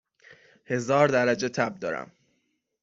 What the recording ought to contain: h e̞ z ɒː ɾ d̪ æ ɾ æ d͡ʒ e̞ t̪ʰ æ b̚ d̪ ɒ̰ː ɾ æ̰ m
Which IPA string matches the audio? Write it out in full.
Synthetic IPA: h e̞ z ɒː ɾ d̪ æ ɾ æ d͡ʒ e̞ t̪ʰ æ b̚ d̪ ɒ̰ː ɾ æ̰ m